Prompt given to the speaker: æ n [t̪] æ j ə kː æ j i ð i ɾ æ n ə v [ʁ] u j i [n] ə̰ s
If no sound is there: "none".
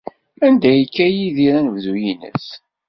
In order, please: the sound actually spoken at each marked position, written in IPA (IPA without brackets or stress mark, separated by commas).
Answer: d̪, ð, n